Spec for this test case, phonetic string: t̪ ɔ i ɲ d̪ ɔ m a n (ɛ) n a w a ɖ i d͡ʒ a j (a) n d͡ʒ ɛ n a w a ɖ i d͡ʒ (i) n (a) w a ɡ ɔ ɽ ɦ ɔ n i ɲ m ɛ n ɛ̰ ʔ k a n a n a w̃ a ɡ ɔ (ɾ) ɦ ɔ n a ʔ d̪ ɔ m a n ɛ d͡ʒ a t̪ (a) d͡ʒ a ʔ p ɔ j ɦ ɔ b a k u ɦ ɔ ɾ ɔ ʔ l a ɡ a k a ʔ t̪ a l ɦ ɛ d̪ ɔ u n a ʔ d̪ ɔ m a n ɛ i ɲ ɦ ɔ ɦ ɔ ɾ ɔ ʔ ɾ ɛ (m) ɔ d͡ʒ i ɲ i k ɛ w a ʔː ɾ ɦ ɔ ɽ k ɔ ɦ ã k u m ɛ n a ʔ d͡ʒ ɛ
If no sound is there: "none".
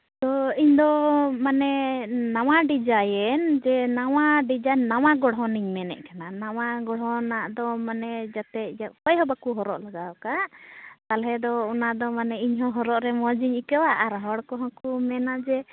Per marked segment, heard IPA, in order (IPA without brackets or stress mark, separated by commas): ɛ, ɛ, a, a, ɽ, ɛ, m